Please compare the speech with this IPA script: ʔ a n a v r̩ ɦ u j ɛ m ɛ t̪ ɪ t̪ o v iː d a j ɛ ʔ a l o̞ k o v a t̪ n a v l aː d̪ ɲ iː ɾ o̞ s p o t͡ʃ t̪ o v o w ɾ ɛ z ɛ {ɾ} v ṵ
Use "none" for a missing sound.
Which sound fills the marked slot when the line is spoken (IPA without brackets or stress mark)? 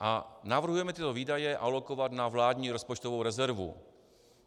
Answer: ɾ